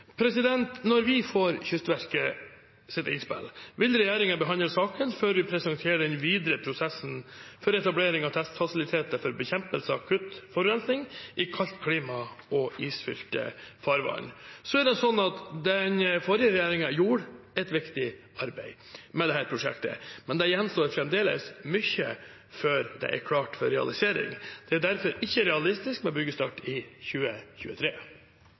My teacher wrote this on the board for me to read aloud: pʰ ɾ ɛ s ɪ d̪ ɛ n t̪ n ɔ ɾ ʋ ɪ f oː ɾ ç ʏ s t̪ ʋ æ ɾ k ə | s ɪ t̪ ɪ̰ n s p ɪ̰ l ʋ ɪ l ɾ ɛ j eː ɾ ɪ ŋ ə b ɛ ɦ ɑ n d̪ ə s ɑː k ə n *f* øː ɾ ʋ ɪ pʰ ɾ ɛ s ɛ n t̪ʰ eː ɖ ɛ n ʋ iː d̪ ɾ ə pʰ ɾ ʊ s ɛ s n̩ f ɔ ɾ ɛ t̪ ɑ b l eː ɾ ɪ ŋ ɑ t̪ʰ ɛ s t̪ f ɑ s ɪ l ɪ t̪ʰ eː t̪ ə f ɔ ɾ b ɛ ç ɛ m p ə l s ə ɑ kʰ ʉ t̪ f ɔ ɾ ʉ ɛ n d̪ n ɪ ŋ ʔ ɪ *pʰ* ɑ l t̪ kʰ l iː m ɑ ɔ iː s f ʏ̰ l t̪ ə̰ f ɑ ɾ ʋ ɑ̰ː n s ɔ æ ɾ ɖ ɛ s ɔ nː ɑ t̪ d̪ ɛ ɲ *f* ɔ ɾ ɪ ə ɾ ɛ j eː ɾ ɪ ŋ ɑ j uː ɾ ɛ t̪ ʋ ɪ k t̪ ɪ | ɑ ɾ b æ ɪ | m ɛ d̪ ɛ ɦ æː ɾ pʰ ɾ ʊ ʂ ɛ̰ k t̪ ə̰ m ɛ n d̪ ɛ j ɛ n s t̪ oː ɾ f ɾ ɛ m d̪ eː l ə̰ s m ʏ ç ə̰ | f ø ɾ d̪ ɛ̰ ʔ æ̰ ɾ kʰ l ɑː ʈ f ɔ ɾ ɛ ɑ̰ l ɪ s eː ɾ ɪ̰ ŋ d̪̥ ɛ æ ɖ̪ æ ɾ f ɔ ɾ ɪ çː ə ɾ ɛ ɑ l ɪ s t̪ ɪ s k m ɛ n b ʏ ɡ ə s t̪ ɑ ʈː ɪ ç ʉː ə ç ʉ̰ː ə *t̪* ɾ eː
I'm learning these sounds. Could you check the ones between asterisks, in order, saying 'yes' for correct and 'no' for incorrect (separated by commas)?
yes, no, yes, no